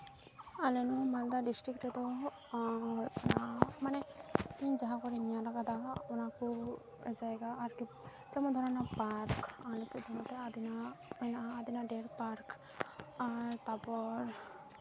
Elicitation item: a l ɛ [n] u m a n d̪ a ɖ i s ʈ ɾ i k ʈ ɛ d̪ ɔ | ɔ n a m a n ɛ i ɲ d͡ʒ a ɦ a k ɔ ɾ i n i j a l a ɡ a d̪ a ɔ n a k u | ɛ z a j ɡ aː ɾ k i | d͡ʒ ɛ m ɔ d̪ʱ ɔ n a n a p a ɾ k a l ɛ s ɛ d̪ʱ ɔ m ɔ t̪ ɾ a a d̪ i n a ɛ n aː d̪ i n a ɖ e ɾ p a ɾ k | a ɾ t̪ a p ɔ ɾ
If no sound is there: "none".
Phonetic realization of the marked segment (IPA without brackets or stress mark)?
n